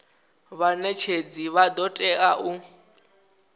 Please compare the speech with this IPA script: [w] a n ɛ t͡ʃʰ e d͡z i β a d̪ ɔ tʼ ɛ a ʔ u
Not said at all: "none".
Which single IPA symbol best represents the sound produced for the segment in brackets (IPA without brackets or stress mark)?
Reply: β